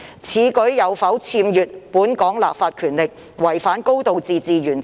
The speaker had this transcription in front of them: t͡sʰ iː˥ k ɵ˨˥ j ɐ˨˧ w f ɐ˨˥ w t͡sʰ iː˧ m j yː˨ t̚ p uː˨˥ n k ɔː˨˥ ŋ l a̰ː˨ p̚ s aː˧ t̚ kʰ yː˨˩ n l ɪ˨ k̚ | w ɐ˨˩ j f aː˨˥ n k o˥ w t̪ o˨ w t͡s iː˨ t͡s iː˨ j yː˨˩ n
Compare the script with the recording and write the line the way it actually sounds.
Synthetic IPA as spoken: t͡sʰ iː˨˥ k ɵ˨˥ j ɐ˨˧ w f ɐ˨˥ w t͡sʰ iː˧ m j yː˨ t̚ p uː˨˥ n k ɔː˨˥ ŋ l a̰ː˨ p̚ f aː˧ t̚ kʰ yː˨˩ n l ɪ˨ k̚ | w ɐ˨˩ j f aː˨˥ n k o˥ w t̪ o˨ w t͡s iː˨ t͡s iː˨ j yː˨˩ n

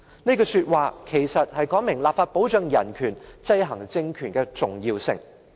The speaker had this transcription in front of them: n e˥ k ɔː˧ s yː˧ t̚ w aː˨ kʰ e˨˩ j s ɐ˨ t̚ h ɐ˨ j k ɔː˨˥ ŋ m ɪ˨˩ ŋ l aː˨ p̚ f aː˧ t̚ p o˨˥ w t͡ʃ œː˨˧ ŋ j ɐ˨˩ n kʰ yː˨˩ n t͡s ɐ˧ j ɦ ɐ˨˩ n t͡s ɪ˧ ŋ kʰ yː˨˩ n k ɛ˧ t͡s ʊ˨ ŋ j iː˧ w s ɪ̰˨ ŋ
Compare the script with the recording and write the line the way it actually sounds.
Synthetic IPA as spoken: n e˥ k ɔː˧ s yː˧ t̚ w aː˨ kʰ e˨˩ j s ɐ˨ t̚ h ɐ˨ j k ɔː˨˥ ŋ m ɪ˨˩ ŋ l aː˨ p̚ f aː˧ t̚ p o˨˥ w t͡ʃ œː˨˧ ŋ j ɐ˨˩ n kʰ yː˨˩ n t͡s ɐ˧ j ɦ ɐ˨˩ ŋ t͡s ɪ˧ ŋ kʰ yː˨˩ n k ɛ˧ t͡s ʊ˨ ŋ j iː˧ w s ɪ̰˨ ŋ

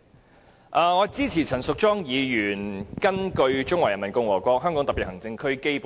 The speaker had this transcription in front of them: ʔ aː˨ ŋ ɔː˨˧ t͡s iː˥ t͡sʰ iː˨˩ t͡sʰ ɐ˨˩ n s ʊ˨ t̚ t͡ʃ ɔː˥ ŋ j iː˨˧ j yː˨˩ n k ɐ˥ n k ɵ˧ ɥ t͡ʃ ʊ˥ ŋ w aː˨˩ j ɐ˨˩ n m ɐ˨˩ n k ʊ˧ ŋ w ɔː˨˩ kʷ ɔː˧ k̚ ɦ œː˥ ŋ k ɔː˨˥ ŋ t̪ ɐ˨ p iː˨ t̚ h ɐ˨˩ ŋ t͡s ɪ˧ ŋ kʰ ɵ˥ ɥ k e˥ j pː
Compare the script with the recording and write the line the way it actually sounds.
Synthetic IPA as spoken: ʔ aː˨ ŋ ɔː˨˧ t͡s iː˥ t͡sʰ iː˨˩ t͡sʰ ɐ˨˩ n s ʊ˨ k̚ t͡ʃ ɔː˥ ŋ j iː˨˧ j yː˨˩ n k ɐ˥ n k ɵ˧ ɥ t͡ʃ ʊ˥ ŋ w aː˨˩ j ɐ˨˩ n m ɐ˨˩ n k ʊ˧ ŋ w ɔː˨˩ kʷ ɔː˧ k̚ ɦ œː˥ ŋ k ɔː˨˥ ŋ t̪ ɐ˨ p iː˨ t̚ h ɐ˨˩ ŋ t͡s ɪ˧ ŋ kʰ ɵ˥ ɥ k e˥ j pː

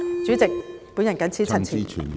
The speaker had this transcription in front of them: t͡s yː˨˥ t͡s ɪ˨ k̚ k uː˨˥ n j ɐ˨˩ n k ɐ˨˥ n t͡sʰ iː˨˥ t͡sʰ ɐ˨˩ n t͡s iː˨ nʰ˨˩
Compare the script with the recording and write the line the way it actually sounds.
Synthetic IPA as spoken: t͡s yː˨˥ t͡s ɪ˨ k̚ p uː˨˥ n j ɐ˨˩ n k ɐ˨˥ n t͡sʰ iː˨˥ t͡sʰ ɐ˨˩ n t͡sʰ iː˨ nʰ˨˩

